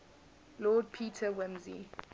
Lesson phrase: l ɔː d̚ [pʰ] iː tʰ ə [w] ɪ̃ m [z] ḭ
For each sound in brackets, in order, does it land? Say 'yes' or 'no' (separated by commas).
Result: yes, yes, yes